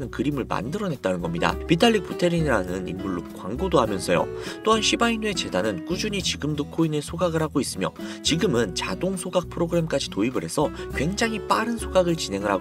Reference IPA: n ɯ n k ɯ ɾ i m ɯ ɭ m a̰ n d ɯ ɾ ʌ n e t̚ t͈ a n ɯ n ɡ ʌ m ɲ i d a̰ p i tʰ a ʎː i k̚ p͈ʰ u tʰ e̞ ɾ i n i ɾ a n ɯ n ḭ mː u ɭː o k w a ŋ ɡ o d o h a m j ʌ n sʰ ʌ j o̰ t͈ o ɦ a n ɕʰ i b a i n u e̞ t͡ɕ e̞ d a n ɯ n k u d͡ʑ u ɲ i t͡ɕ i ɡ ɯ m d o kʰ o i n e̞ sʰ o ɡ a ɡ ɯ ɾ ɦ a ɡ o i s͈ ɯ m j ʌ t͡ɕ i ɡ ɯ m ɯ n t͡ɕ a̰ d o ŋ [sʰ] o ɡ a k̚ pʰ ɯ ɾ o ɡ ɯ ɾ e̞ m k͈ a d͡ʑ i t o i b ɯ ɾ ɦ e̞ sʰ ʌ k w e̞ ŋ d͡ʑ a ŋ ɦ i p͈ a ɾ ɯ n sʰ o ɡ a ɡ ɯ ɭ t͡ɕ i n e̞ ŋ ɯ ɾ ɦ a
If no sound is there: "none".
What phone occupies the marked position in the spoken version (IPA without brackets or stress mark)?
sʰ